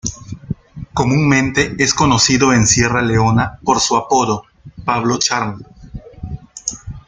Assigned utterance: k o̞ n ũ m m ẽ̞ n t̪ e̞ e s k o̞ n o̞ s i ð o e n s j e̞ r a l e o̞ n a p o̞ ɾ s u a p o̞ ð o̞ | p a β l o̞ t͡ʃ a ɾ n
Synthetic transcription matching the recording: k o̞ m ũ ŋ m ẽ̞ n t̪ e̞ e s k o̞ n o̞ s i ð o e n s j e̞ r a l e o̞ n a p o̞ ɾ s u a p o̞ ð o̞ | p a β l o̞ t͡ʃ a ɾ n